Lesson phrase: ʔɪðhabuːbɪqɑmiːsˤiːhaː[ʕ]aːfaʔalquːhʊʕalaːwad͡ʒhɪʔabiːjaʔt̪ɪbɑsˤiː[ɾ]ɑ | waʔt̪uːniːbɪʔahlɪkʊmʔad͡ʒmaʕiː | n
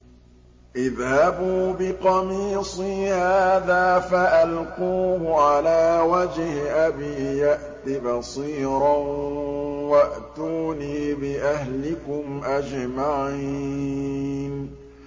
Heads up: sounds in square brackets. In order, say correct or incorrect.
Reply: incorrect, correct

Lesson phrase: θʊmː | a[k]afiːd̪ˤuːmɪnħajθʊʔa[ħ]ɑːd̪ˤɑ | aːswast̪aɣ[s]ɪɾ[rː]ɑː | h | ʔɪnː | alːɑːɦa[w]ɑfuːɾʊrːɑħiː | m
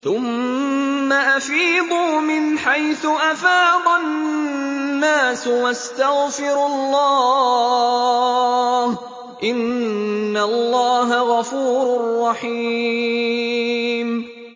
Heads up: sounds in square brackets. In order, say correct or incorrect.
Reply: incorrect, incorrect, incorrect, incorrect, incorrect

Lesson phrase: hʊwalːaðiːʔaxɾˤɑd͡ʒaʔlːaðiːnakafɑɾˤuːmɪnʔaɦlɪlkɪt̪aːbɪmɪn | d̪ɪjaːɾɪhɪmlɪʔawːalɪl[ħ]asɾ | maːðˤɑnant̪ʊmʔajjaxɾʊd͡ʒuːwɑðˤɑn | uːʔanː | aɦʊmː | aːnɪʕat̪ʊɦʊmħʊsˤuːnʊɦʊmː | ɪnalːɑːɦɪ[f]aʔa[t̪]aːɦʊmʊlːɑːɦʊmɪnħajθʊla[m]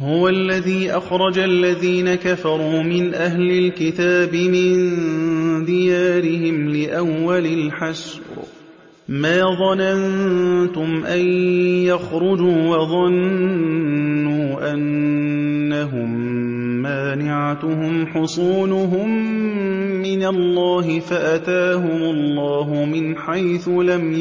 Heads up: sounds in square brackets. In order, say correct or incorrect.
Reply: correct, correct, correct, correct

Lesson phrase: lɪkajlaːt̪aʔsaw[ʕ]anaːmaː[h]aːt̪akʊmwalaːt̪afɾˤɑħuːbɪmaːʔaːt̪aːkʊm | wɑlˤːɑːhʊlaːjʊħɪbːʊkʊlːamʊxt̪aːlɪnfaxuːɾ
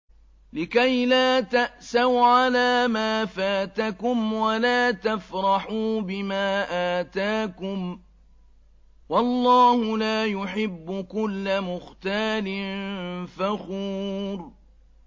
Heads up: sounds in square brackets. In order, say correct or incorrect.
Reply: correct, incorrect

